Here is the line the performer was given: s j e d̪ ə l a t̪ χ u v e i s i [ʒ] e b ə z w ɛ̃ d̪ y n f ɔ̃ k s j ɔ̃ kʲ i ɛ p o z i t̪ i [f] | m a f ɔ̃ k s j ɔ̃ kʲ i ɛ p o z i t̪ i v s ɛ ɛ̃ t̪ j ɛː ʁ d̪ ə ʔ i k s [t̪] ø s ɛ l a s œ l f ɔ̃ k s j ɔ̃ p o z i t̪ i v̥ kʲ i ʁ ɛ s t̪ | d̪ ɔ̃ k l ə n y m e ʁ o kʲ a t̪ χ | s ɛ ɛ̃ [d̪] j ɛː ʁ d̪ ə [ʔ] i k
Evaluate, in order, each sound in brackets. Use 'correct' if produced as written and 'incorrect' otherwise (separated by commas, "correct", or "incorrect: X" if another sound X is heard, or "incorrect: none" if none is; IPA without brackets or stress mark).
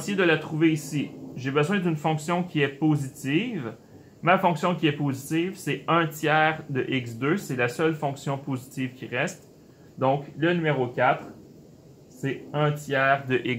correct, incorrect: v, incorrect: d̪, incorrect: t̪, correct